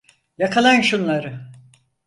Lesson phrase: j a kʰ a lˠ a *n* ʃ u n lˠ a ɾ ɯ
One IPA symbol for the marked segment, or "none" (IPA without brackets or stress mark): n